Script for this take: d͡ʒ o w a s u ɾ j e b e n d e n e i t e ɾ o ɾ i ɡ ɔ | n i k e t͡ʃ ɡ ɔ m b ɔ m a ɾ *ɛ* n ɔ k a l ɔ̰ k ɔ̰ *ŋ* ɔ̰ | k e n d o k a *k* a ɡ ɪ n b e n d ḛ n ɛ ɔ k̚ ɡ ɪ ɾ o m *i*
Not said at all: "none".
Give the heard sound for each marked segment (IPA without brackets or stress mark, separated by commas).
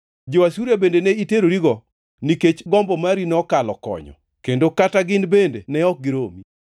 i, ɲ, t, i